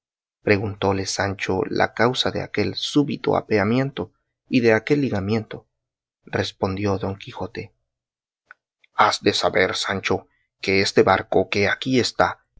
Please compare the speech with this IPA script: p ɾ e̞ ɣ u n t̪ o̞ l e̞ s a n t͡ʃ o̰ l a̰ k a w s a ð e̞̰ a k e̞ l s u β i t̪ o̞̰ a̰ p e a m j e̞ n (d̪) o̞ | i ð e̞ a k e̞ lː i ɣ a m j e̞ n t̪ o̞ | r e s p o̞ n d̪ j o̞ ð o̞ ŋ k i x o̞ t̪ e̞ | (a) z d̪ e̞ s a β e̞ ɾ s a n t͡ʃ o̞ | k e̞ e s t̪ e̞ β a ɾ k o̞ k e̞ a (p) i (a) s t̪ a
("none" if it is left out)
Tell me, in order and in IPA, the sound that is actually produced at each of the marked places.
t̪, a, k, e

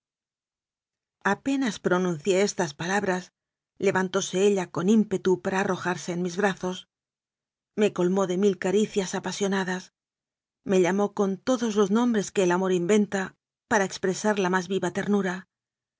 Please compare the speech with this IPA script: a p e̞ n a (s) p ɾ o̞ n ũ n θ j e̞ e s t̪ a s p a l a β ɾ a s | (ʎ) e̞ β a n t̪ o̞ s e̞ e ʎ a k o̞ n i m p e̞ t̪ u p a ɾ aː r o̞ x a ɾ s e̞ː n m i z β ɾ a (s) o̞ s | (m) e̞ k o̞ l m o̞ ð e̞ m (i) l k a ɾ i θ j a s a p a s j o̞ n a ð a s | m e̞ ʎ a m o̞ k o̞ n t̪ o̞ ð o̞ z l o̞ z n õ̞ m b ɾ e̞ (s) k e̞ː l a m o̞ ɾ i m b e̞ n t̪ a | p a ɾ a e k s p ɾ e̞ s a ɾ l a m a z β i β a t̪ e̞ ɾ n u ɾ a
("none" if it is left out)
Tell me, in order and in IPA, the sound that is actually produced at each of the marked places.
s, l, θ, m, i, s

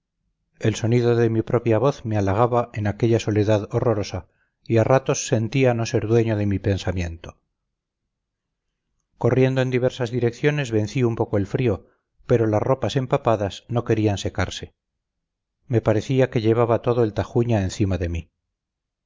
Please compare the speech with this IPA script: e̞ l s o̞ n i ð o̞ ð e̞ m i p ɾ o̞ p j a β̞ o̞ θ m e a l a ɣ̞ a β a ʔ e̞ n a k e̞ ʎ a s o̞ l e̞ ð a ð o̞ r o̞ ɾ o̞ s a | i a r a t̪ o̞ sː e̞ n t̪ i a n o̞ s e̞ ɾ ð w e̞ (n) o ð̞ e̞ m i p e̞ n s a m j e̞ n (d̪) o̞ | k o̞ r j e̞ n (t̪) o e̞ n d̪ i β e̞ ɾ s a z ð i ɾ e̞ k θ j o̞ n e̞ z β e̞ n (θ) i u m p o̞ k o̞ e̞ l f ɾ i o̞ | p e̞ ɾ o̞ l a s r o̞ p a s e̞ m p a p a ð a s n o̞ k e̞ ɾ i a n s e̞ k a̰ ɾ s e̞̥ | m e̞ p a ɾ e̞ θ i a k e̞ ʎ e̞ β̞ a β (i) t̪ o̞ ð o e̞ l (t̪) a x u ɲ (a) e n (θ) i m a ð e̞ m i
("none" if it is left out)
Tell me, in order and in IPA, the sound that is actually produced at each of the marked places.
ɲ, t̪, d̪, θ, a, t̪, a, θ

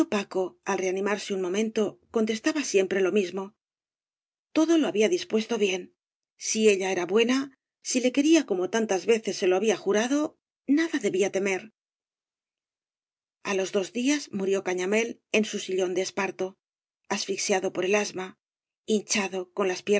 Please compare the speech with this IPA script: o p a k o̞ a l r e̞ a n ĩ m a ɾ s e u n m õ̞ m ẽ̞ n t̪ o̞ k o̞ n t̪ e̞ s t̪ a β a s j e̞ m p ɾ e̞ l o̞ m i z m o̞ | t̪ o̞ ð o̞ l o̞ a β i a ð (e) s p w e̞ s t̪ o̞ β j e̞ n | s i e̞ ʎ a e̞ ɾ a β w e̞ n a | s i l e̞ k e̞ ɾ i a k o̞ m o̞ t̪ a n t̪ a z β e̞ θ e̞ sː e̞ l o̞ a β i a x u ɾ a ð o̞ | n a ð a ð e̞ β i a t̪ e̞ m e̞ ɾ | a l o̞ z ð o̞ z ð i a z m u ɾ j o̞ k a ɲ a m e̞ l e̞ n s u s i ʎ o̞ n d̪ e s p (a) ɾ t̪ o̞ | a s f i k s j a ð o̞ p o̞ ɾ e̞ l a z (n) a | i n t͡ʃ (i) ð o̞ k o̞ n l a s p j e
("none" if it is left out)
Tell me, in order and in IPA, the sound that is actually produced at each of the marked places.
i, a, m, a

